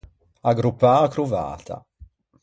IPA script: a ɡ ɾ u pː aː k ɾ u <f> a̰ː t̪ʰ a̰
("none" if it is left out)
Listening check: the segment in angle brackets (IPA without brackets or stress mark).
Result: v